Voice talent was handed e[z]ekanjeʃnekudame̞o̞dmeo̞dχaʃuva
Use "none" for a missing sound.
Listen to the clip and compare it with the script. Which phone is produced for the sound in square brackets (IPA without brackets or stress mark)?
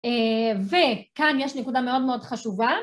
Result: v